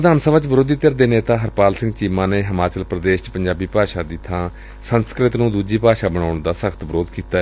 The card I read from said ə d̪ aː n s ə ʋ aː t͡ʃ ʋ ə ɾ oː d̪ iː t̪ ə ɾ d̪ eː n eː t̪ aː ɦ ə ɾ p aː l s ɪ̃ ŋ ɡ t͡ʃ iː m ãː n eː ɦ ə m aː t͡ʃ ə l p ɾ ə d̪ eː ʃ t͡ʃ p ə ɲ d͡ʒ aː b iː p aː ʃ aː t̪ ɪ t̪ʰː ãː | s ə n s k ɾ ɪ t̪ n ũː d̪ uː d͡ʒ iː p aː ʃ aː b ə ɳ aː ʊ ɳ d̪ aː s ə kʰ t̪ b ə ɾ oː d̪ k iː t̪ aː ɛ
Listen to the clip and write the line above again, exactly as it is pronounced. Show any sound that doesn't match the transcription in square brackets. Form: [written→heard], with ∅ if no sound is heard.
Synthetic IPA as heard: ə d̪ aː n s ə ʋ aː t͡ʃ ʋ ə ɾ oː d̪ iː t̪ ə ɾ d̪ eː n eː t̪ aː ɦ ə ɾ p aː l s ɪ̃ ŋ ɡ t͡ʃ iː m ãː n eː ɦ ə m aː t͡ʃ ə l p ɾ ə d̪ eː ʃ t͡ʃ p ə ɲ d͡ʒ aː b iː p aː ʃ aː [t̪→d̪] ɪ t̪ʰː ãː | s ə n s k ɾ ɪ t̪ n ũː d̪ uː d͡ʒ iː p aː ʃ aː b ə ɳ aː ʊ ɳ d̪ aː s ə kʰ t̪ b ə ɾ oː d̪ k iː t̪ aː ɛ